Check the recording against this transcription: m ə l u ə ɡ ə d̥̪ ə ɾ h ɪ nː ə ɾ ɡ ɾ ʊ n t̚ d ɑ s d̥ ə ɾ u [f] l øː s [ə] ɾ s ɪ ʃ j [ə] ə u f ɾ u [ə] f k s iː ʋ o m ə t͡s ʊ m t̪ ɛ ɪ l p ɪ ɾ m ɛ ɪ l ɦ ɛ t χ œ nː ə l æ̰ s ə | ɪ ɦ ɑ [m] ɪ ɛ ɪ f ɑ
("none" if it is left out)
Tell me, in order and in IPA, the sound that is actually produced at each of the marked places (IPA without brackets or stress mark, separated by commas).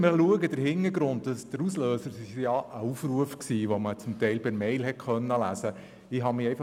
s, ə, ɑ, ə, m